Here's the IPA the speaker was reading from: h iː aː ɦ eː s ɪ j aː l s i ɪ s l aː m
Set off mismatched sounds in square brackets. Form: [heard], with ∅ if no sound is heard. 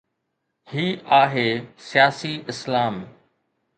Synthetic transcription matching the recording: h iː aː ɦ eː s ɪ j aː [∅] s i ɪ s l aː m

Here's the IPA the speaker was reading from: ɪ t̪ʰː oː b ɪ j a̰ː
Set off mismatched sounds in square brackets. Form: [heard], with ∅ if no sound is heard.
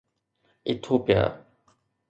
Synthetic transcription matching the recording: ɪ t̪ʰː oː [p] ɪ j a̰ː

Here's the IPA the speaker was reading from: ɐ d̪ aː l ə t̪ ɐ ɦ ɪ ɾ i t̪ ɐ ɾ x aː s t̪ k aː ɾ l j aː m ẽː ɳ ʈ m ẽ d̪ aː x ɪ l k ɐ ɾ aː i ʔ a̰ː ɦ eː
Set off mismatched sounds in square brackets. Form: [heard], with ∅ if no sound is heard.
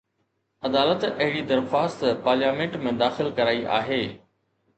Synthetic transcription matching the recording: ɐ d̪ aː l ə t̪ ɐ ɦ ɪ [ɽ] i [d̪] ɐ ɾ x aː s t̪ [p] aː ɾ l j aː m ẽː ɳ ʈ m ẽ d̪ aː x ɪ l k ɐ ɾ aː i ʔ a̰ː ɦ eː

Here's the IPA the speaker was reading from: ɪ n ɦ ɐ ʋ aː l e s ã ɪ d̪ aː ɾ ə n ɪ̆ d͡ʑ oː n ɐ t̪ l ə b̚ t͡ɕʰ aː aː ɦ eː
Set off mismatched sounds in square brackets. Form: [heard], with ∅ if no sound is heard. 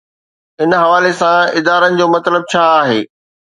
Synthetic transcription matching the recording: ɪ n ɦ ɐ ʋ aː l e s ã ɪ d̪ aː ɾ ə n ɪ̆ d͡ʑ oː [m] ɐ t̪ l ə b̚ t͡ɕʰ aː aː ɦ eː

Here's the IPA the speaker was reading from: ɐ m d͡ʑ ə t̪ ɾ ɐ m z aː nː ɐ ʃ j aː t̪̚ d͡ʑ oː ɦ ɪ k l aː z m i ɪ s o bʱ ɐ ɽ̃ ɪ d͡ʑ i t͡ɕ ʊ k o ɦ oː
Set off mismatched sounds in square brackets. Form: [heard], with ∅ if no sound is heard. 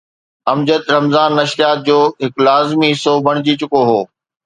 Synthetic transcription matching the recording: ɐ m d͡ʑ ə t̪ ɾ ɐ m z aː nː ɐ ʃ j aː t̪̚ d͡ʑ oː ɦ ɪ k l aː z m i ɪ s o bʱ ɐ ɽ̃ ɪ d͡ʑ i t͡ɕ ʊ k o ɦ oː

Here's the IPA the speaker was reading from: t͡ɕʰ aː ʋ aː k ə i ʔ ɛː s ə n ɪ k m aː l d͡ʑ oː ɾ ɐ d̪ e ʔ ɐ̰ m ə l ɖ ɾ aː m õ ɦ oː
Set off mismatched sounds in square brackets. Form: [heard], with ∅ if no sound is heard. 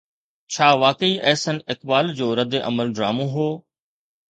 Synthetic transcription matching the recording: t͡ɕʰ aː ʋ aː k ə i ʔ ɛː s ə n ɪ k [b] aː l d͡ʑ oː ɾ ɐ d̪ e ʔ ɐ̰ m ə l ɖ ɾ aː m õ ɦ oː

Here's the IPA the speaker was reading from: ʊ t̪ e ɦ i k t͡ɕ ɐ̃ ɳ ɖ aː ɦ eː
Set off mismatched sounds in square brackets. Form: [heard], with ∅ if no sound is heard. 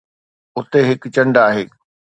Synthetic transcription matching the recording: ʊ t̪ e ɦ [ɪ] k t͡ɕ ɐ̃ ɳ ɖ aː ɦ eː

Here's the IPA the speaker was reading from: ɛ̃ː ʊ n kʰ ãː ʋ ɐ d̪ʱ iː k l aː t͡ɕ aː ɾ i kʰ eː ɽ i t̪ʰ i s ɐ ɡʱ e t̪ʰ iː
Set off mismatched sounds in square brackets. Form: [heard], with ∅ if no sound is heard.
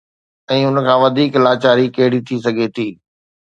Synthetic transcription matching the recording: ɛ̃ː ʊ n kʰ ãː ʋ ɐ d̪ʱ iː k l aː t͡ɕ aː ɾ i [k] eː ɽ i t̪ʰ i s ɐ ɡʱ e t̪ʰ iː

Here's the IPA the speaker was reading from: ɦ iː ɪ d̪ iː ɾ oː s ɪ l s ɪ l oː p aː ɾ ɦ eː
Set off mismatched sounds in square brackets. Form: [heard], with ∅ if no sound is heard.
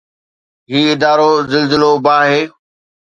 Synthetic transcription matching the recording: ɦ iː ɪ d̪ [aː] ɾ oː [z] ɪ l [z] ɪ l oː [b] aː [∅] ɦ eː

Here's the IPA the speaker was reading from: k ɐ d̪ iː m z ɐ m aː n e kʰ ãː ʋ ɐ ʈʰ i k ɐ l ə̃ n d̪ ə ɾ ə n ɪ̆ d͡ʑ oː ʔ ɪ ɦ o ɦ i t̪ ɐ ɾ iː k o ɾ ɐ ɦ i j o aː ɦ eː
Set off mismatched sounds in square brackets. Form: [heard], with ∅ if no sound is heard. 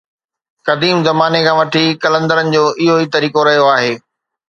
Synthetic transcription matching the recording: k ɐ d̪ iː m z ɐ m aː n e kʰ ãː ʋ ɐ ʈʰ i k ɐ l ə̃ n d̪ ə ɾ ə n ɪ̆ d͡ʑ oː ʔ ɪ ɦ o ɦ i t̪ ɐ ɾ iː k o ɾ ɐ ɦ i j o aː ɦ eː

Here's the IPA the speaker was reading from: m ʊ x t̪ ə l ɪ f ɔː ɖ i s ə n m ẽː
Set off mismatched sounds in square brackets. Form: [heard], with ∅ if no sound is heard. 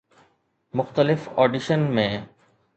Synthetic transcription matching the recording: m ʊ x t̪ ə l ɪ f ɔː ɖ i [ʃ] ə n m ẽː

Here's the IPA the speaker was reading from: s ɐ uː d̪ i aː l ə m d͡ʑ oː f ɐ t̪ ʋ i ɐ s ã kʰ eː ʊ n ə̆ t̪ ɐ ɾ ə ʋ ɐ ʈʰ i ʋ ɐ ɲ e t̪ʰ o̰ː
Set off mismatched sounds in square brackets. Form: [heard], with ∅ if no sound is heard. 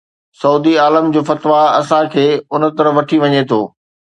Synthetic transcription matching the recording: s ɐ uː d̪ i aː l ə m d͡ʑ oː f ɐ t̪ ʋ [a] ɐ s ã kʰ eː ʊ n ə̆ t̪ ɐ ɾ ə ʋ ɐ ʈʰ i ʋ ɐ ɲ e t̪ʰ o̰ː

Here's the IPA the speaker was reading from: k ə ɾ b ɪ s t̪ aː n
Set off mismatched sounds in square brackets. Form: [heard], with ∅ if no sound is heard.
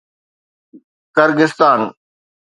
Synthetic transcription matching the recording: k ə ɾ [ɡ] ɪ s t̪ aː n

